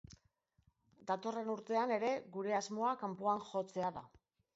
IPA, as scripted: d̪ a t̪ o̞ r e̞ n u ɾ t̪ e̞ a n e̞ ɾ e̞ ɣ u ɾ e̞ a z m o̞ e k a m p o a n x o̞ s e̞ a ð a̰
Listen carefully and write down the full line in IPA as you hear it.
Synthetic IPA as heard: d̪ a t̪ o̞ r e̞ n u ɾ t̪ e̞ a n e̞ ɾ e̞ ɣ u ɾ e̞ a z m o̞ a k a m p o a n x o̞ t͡s e̞ a ð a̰

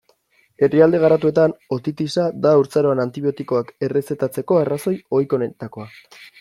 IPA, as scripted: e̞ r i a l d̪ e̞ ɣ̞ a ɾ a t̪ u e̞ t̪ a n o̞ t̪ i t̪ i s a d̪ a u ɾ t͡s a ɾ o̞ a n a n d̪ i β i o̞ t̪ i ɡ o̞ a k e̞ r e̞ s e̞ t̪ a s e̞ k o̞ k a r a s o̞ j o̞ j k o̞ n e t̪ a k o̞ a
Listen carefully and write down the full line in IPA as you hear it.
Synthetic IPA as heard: e̞ r i a l d̪ e̞ ɣ̞ a ɾ a t̪ u e̞ t̪ a n o̞ t̪ i t̪ i s a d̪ a u ɾ t͡s a ɾ o̞ a n a n t̪ i β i o̞ t̪ i k o̞ a k e̞ r e̞ s e̞ t̪ a t͡s e̞ k o̞ a r a s o̞ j o̞ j k o̞ n e t̪ a k o̞ a

